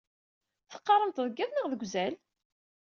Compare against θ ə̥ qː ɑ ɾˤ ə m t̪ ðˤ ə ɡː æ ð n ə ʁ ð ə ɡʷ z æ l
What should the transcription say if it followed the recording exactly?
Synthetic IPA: θ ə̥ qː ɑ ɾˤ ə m t̪ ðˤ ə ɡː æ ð n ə ʁ ð ə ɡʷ z æ l